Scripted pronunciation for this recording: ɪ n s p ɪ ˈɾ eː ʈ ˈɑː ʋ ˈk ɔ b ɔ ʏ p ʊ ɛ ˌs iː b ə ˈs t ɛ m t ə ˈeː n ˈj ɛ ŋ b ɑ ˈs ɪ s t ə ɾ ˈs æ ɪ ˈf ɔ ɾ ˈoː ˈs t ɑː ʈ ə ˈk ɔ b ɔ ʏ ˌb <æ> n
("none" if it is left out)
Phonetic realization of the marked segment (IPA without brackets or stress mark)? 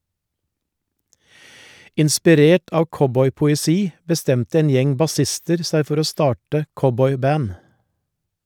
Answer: æː